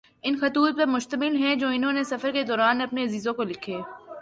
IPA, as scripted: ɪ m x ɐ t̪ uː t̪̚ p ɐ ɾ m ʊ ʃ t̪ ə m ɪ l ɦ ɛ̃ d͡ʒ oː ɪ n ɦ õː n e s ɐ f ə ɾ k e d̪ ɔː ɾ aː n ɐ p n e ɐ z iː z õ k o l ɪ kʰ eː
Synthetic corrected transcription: ɪ n x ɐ t̪ uː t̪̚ p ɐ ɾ m ʊ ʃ t̪ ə m ɪ l ɦ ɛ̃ d͡ʒ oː ɪ n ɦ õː n e s ɐ f ə ɾ k e d̪ ɔː ɾ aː n ɐ p n e ɐ z iː z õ k o l ɪ kʰ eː